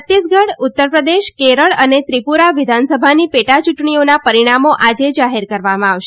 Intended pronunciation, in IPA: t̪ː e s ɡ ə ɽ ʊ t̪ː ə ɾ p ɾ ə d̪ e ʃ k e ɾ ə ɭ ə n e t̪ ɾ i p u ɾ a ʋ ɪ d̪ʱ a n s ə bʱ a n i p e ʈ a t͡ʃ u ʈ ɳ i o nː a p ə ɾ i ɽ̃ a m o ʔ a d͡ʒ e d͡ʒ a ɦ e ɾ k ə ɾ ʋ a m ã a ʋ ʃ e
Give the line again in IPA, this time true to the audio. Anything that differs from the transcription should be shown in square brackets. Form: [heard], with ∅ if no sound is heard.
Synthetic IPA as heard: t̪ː [i] s ɡ ə ɽ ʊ t̪ː ə ɾ p ɾ ə d̪ e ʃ k e ɾ ə ɭ ə n e t̪ ɾ i p u ɾ a ʋ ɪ d̪ʱ a n s ə bʱ a n i p e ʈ a t͡ʃ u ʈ ɳ i o [n] a p ə ɾ i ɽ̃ a m o ʔ a d͡ʒ e d͡ʒ a ɦ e ɾ k ə ɾ ʋ a m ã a ʋ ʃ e